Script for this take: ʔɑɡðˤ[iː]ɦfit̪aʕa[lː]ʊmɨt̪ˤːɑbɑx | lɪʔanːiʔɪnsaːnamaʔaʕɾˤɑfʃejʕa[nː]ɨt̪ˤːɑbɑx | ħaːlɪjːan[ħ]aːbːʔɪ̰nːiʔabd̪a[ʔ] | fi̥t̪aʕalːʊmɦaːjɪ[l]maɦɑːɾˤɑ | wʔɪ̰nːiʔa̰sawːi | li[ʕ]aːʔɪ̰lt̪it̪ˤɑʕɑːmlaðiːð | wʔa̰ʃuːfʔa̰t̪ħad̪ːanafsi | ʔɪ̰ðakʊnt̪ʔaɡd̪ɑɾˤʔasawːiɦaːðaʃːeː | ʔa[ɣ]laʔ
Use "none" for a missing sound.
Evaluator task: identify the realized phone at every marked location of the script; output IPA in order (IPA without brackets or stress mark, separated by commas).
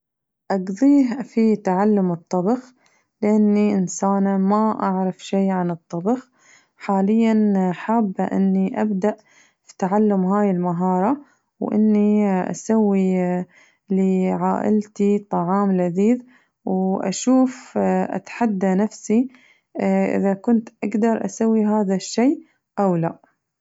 iː, lː, n, ħ, ʔ, l, ʕ, w